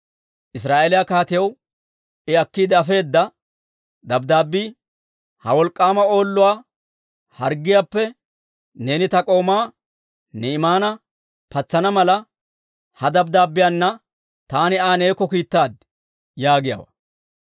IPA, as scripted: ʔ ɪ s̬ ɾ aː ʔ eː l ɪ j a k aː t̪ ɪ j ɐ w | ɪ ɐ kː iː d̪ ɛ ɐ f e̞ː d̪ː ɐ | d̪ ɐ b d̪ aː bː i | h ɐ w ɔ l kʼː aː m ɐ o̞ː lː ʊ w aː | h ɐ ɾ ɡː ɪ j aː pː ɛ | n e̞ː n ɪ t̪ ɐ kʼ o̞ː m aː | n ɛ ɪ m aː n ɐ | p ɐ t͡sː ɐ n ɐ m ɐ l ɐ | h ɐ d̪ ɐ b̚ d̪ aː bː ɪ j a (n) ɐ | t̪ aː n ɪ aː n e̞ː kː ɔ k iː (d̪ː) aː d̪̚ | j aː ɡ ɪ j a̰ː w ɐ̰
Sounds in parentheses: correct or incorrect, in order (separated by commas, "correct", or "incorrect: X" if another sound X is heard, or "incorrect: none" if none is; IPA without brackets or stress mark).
incorrect: nː, incorrect: t̪ː